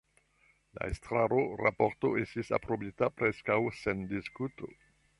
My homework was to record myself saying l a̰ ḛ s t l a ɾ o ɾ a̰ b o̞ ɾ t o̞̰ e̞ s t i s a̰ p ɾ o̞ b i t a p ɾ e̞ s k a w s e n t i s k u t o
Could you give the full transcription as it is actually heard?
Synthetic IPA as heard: l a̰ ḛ s t ɾ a ɾ o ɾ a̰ p o̞ ɾ t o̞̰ e̞ s t i s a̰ p ɾ o̞ b i t a p ɾ e̞ s k a w s e n d i s k u t o